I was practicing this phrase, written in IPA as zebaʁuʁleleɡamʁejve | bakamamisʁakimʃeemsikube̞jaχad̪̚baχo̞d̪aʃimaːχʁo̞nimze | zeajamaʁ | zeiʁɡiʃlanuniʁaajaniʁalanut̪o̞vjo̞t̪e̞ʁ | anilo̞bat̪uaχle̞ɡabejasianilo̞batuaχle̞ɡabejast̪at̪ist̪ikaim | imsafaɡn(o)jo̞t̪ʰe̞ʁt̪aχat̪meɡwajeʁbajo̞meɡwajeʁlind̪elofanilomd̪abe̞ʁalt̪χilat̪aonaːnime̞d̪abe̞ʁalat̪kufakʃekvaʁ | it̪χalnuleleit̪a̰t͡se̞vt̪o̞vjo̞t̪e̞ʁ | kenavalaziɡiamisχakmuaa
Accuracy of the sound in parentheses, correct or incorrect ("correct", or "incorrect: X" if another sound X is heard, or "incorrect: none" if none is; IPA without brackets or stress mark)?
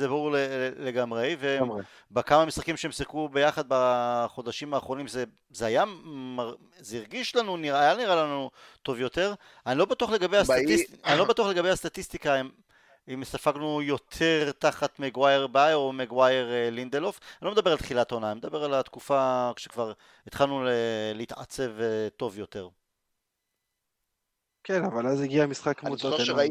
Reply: incorrect: u